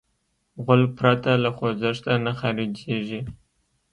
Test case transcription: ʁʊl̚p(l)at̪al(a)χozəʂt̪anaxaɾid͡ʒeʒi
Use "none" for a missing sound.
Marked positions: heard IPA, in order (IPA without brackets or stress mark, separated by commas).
ɾ, a